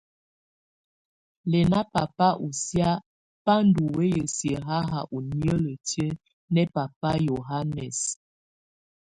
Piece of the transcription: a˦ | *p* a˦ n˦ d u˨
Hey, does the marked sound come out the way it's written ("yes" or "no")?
yes